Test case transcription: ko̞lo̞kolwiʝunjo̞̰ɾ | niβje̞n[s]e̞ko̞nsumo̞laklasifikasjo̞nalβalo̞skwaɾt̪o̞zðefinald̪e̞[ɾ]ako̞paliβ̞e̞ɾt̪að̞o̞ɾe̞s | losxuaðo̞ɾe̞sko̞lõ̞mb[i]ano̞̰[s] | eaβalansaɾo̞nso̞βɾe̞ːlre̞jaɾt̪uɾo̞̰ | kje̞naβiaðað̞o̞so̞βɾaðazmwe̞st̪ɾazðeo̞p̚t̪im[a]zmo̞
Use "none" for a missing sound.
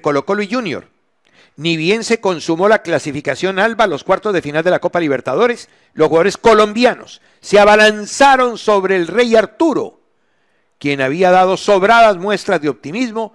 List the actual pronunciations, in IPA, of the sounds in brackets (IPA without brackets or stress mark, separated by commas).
s, l, j, sː, i